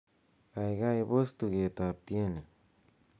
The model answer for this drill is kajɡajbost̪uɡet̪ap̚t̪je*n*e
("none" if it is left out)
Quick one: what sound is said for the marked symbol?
n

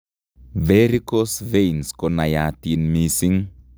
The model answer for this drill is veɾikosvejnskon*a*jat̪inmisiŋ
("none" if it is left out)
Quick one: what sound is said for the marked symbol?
a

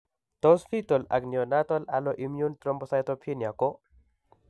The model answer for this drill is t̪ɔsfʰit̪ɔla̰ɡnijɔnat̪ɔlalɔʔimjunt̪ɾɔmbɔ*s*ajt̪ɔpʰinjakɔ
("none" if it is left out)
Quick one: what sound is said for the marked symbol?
s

